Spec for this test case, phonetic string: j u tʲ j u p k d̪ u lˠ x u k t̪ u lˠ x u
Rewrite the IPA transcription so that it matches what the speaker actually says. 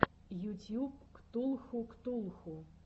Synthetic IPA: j u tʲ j u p k t̪ u lˠ x u k t̪ u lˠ x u